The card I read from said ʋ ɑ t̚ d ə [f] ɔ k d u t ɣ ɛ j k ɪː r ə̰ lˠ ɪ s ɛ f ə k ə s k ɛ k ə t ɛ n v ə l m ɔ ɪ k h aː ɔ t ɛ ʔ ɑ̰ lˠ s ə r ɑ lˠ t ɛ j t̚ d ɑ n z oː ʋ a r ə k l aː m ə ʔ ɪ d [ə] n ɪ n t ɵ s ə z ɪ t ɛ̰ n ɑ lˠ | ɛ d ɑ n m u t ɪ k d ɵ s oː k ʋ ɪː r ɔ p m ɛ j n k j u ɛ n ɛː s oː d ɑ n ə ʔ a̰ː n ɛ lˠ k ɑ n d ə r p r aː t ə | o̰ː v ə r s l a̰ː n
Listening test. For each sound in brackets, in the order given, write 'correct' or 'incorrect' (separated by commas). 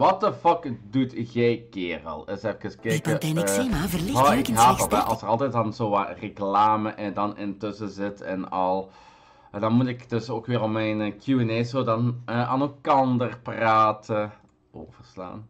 correct, incorrect